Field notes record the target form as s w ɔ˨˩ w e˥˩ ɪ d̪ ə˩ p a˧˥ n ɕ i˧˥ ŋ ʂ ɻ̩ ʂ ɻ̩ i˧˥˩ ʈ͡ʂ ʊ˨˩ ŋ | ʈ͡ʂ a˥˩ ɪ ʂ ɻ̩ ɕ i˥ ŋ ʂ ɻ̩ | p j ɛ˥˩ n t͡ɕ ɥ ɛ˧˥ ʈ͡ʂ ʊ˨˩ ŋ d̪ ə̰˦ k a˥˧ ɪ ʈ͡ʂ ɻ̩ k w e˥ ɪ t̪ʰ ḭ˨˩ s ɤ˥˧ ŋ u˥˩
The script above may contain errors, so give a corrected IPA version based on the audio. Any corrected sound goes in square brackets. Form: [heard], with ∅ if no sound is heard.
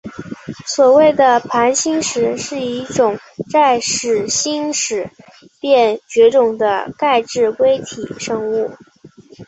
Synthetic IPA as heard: s w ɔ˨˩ w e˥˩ ɪ d̪ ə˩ [pʰ] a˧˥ n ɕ [i˥] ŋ ʂ ɻ̩ ʂ ɻ̩ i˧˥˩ ʈ͡ʂ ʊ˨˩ ŋ | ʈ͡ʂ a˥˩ ɪ ʂ ɻ̩ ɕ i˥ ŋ ʂ ɻ̩ | p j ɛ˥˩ n t͡ɕ ɥ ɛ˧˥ ʈ͡ʂ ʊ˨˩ ŋ d̪ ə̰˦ k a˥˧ ɪ ʈ͡ʂ ɻ̩ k w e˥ ɪ t̪ʰ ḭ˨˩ [ʂ] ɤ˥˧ ŋ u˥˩